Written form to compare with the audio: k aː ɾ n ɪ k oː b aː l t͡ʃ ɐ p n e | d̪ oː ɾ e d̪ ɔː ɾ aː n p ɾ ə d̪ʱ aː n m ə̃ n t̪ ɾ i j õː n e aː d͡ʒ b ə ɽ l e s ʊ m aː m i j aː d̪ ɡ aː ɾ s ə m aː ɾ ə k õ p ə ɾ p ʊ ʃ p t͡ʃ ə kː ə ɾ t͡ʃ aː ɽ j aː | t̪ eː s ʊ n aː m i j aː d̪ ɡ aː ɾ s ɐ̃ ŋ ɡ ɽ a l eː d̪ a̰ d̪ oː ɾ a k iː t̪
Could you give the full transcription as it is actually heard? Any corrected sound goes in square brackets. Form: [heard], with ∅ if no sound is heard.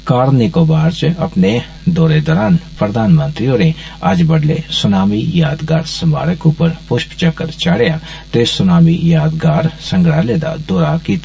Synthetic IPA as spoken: k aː ɾ n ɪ k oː b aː [ɾ] t͡ʃ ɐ p n e | d̪ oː ɾ e d̪ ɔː ɾ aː n p ɾ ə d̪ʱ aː n m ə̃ n t̪ ɾ i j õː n e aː d͡ʒ b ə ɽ l e s ʊ [n] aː m i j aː d̪ ɡ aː ɾ s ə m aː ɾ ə k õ p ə ɾ p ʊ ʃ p t͡ʃ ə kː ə ɾ t͡ʃ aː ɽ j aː | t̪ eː s ʊ n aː m i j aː d̪ ɡ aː ɾ s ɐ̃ ŋ ɡ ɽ a l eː d̪ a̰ d̪ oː ɾ a k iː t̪